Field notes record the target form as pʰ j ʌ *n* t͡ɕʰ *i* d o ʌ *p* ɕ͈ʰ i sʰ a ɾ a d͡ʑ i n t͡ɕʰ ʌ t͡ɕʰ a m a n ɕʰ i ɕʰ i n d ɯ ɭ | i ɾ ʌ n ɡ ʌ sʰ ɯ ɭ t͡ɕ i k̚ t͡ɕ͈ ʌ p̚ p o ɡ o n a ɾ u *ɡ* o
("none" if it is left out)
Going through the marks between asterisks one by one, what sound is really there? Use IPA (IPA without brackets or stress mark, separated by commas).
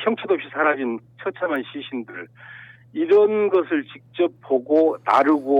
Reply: ŋ, e, p, ɡ